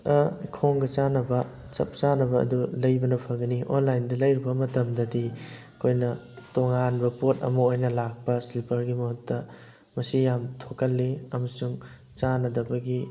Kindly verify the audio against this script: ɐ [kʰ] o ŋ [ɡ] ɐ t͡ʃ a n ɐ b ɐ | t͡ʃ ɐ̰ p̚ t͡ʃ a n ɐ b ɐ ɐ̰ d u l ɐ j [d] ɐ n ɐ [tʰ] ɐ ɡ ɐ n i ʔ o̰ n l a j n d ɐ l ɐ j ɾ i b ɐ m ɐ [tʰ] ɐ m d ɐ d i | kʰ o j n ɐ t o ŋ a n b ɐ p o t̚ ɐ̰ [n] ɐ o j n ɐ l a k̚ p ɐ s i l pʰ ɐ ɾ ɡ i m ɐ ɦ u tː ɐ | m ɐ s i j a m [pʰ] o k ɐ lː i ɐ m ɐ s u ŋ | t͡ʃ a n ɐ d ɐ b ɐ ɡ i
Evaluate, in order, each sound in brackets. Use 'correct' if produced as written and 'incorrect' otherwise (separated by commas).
correct, correct, incorrect, incorrect, incorrect, incorrect, incorrect